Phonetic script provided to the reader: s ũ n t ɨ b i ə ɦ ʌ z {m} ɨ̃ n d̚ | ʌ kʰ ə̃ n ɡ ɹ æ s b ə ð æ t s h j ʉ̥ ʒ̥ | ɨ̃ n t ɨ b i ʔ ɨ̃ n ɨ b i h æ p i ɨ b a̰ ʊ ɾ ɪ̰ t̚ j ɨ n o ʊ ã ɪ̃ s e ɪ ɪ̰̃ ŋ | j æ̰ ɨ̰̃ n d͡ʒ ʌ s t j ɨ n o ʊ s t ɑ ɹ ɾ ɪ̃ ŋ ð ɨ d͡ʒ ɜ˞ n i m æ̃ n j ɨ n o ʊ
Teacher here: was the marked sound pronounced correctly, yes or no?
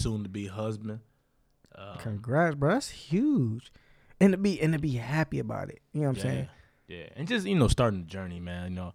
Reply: no